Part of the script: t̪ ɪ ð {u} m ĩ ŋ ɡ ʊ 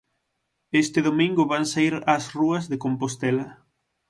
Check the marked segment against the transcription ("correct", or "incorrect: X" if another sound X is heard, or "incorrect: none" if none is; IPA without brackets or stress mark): incorrect: o